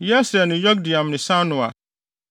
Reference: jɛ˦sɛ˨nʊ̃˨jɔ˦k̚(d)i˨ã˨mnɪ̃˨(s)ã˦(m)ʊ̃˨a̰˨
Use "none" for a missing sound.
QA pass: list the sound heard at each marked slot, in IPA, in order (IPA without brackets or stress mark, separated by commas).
d, s, n